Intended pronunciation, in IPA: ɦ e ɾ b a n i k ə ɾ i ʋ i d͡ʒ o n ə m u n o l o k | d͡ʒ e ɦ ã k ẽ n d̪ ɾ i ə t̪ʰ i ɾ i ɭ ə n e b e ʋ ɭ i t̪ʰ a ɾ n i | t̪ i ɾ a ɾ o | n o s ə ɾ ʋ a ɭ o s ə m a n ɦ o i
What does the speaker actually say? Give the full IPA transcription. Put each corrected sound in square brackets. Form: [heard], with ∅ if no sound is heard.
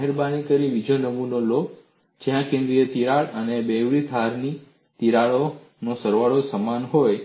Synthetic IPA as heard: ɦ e ɾ b a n i k ə ɾ i ʋ i d͡ʒ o n ə m u n o l o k | d͡ʒ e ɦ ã k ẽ n d̪ ɾ i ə [t̪] i ɾ [a] ɭ ə n e b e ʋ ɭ i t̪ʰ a ɾ n i | t̪ i ɾ a [ɭ] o | n o s ə ɾ ʋ a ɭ o s ə m a n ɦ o [j]